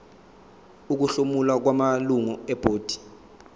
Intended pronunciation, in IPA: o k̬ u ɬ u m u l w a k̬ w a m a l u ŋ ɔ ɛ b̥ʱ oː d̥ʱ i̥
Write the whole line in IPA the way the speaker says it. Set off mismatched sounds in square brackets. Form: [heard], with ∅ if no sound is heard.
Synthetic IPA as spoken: [u] k̬ u ɬ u m u l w a k̬ w a m a l u ŋ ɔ ɛ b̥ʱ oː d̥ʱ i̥